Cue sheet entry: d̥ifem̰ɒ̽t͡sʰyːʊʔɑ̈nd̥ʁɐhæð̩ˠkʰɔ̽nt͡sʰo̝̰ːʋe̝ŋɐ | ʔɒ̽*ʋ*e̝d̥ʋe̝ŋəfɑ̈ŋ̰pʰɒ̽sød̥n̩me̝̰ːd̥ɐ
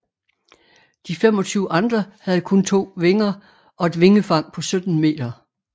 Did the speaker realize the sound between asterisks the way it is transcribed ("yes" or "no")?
no